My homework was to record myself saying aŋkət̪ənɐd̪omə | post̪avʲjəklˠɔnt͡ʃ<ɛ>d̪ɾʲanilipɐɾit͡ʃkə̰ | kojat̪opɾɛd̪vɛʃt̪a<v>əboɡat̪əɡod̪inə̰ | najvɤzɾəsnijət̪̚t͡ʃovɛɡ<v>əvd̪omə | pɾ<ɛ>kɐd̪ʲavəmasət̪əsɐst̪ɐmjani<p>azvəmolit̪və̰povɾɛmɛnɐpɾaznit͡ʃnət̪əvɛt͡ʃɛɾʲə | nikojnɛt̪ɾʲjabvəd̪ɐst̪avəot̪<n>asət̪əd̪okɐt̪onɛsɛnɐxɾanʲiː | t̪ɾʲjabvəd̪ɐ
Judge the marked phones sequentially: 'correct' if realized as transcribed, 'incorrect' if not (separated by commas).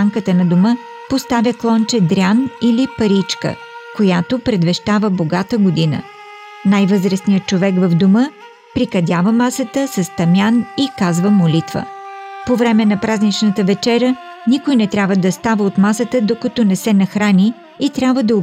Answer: correct, correct, correct, incorrect, incorrect, incorrect